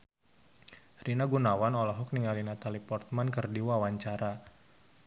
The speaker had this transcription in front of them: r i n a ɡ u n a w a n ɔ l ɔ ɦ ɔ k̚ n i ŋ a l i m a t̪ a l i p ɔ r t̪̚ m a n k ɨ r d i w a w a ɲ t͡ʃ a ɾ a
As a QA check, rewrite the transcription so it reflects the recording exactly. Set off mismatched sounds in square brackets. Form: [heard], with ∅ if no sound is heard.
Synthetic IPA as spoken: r i n a ɡ u n a w a n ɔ l ɔ ɦ ɔ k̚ n i ŋ a l i [n] a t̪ a l i p ɔ r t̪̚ m a n k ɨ r d i w a w a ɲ t͡ʃ a ɾ a